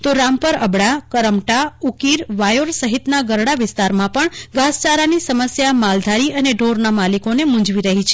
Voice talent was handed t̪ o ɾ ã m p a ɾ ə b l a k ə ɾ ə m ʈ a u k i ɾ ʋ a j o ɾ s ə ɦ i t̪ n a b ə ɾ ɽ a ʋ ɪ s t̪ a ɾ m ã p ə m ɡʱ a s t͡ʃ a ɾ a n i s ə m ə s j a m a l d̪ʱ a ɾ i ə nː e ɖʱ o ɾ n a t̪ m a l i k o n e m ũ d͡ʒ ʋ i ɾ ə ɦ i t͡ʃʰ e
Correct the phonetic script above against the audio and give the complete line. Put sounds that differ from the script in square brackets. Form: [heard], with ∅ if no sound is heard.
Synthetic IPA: t̪ o ɾ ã m p [ə] ɾ ə b [ɽ] a k ə ɾ ə m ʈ a u k i ɾ ʋ a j o ɾ s ə ɦ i t̪ n a [ɡ] ə ɾ ɽ a ʋ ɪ s t̪ a ɾ m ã p ə [ɳ] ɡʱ a s t͡ʃ a ɾ a n i s ə m ə s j a m a l d̪ʱ a ɾ i ə [n] e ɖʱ o ɾ n a [∅] m a l i k o n e m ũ d͡ʒ ʋ i ɾ ə ɦ i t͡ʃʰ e